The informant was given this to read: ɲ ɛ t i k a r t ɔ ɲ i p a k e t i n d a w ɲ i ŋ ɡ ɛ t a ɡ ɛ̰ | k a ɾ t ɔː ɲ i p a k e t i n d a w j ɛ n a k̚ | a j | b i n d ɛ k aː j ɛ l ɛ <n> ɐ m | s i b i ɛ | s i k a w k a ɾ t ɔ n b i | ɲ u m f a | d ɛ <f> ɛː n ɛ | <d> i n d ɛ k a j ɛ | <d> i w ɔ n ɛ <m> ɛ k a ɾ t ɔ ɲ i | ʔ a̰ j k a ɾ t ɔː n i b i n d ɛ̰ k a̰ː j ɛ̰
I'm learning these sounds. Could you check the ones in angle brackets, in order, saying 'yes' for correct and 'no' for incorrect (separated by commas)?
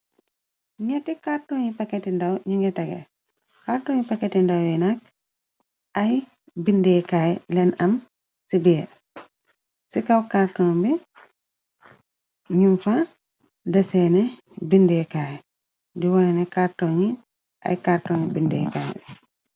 yes, no, no, yes, no